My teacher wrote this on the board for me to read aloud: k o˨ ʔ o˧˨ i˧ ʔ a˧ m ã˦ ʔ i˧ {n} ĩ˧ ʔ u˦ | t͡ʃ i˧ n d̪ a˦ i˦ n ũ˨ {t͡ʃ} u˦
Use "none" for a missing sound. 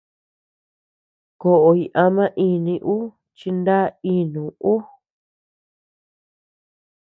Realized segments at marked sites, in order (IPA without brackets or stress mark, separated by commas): n, none